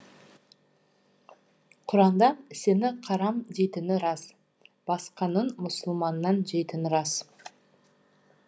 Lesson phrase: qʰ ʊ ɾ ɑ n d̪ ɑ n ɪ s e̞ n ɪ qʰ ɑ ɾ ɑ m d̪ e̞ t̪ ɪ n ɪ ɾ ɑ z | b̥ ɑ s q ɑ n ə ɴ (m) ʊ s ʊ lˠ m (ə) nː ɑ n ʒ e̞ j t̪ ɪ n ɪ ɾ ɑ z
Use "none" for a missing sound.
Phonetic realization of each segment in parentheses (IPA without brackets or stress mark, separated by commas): m, ɑ